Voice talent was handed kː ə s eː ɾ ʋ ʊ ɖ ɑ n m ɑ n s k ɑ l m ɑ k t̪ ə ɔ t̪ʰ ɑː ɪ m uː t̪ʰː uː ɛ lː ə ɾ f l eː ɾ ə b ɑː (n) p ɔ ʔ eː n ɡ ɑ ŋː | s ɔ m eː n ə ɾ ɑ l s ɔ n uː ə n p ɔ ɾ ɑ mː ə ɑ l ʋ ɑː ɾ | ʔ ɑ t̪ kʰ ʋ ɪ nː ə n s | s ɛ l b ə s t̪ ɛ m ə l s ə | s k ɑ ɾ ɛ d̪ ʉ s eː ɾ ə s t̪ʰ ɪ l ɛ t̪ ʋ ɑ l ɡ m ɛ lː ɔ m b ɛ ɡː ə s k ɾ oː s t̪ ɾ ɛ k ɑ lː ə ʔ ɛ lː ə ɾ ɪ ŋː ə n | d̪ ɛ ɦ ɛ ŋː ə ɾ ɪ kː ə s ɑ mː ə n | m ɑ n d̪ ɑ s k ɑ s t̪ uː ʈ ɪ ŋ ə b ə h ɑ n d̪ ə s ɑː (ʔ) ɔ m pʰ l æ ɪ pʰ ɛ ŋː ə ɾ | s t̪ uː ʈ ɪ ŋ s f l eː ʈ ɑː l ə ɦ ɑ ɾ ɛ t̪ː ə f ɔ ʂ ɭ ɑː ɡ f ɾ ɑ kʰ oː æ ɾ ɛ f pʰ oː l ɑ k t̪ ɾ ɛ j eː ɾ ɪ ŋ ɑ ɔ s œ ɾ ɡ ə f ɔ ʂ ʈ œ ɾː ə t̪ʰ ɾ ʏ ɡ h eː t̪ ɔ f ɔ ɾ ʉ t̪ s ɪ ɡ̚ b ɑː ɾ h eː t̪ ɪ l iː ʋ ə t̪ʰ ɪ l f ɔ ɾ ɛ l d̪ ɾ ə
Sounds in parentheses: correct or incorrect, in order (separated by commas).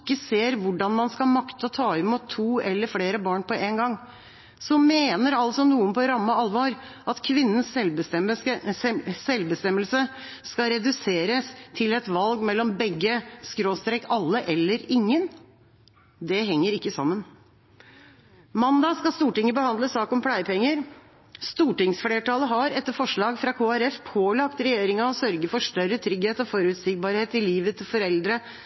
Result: incorrect, incorrect